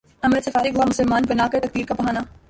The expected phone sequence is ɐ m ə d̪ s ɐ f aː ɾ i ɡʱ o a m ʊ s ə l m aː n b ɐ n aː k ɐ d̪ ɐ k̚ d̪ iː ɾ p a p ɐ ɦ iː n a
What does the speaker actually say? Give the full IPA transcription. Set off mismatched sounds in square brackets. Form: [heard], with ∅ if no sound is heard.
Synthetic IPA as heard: ɐ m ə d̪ s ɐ f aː ɾ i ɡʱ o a m ʊ s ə l m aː n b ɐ n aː k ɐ [t̪] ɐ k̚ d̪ iː ɾ [k] a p ɐ ɦ [aː] n a